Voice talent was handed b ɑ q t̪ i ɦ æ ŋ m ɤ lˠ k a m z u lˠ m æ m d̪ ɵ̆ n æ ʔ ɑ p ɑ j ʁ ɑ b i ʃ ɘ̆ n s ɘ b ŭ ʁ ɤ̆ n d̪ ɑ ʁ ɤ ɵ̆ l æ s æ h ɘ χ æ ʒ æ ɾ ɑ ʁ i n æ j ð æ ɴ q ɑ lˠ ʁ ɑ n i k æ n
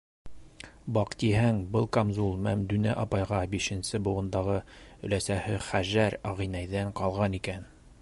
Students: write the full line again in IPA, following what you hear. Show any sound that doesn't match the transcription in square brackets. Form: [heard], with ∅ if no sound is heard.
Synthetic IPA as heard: b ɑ q t̪ i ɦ æ ŋ [b] ɤ lˠ k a m z u lˠ m æ m d̪ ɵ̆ n æ ʔ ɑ p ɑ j ʁ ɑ b i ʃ ɘ̆ n s ɘ b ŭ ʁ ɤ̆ n d̪ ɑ ʁ ɤ ɵ̆ l æ s æ h ɘ χ æ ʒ æ ɾ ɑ ʁ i n æ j ð æ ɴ q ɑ lˠ ʁ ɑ n i k æ n